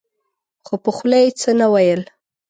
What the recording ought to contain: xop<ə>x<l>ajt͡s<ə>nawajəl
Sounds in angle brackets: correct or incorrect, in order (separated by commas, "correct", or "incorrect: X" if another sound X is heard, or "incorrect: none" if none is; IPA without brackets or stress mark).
correct, correct, correct